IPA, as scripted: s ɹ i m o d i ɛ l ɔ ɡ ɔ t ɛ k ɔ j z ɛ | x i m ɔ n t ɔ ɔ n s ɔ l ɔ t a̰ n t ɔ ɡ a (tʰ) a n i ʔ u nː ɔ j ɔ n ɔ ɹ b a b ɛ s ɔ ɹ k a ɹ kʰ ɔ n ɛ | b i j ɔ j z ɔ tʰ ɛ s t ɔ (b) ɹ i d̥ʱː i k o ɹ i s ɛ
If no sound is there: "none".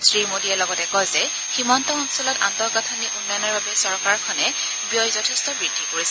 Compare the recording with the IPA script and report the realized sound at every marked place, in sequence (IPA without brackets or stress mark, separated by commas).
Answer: tʰ, b